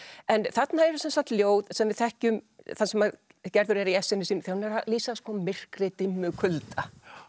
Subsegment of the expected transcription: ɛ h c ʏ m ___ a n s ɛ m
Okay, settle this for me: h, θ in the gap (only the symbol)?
θ